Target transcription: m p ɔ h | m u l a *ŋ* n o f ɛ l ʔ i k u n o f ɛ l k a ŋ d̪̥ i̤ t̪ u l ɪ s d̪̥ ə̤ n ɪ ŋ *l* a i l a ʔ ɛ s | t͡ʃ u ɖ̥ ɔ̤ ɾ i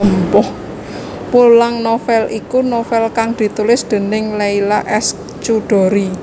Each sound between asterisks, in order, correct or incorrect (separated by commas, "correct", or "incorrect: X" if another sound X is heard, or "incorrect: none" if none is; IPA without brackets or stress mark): correct, correct